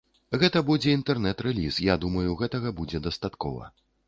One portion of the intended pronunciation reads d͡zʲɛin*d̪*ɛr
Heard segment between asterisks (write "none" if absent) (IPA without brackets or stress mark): t̪